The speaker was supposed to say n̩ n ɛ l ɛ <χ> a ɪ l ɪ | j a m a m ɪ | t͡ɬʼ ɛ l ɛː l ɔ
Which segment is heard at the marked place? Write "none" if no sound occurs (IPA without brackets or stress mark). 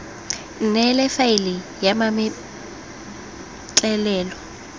f